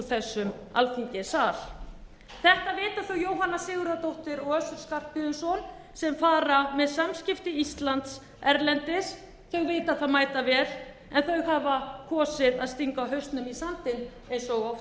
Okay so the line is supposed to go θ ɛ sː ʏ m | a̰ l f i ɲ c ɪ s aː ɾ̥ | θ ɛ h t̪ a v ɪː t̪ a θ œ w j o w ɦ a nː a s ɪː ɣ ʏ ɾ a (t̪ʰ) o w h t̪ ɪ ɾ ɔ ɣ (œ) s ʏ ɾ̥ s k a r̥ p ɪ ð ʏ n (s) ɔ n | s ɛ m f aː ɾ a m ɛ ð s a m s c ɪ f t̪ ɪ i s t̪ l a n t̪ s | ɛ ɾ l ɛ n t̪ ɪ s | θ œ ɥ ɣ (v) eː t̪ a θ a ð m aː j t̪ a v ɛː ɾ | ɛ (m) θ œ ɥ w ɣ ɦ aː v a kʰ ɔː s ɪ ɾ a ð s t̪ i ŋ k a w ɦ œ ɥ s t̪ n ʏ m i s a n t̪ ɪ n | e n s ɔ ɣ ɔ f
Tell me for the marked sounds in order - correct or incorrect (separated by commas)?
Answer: incorrect, correct, correct, correct, incorrect